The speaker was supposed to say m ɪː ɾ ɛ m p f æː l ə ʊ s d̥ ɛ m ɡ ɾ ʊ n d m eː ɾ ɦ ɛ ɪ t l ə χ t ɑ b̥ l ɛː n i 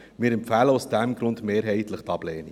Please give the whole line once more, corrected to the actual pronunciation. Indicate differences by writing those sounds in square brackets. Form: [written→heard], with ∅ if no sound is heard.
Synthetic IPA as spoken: m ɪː ɾ ɛ m p f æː l ə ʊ s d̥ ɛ m ɡ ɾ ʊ n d m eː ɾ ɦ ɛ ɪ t l ə χ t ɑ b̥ l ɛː n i